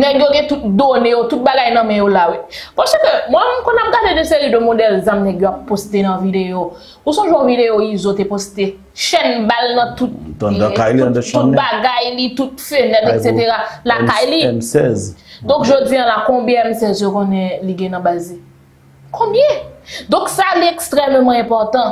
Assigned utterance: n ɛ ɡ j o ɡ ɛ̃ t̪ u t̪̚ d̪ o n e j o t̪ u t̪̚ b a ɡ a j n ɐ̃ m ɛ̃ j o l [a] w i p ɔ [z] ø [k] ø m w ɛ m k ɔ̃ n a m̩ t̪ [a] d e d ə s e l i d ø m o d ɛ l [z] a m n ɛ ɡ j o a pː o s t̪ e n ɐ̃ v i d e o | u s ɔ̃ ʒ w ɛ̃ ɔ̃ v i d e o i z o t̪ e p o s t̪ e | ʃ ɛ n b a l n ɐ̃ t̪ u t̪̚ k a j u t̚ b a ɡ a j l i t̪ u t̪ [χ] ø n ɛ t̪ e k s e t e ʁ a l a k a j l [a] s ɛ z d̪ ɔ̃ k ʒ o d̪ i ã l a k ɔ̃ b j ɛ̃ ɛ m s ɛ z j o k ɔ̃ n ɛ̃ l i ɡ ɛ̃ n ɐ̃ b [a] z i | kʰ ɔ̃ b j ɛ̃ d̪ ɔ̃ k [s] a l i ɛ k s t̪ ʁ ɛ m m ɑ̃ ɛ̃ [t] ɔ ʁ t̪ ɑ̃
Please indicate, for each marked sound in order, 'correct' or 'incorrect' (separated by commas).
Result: correct, incorrect, correct, correct, correct, incorrect, incorrect, correct, correct, incorrect